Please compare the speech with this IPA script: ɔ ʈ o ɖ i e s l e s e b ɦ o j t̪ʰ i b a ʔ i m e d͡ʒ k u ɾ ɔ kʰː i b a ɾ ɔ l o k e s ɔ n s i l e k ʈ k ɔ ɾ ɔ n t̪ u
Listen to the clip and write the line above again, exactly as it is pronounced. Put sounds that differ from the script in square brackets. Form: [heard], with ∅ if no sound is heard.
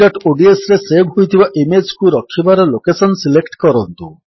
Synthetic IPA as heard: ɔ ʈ o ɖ i e s [ɾ] e s e b ɦ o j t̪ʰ i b a ʔ i m e d͡ʒ k u ɾ ɔ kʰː i b a ɾ ɔ l o k e s ɔ n s i l e k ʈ k ɔ ɾ ɔ n t̪ u